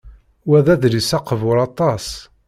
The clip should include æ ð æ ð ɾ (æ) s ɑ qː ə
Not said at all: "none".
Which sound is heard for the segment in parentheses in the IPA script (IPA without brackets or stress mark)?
i